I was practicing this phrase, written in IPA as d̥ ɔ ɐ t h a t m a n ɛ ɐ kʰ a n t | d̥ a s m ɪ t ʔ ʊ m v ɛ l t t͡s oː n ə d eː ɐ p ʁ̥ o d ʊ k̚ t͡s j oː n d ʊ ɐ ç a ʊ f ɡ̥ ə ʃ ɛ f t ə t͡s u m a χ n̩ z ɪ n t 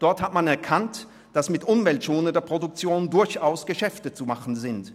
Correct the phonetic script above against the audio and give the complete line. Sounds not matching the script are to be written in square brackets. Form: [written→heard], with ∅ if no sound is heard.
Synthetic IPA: d̥ ɔ ɐ t h a t m a n ɛ ɐ kʰ a n t | d̥ a s m ɪ t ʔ ʊ m v ɛ l t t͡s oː n ə d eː ɐ p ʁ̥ o d ʊ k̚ t͡s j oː n d ʊ ɐ ç a ʊ [f→s] ɡ̥ ə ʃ ɛ f t ə t͡s u m a χ n̩ z ɪ n t